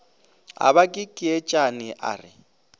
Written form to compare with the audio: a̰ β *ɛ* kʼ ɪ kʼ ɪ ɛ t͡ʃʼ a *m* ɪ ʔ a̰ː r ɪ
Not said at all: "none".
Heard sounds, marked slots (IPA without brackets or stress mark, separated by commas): a, n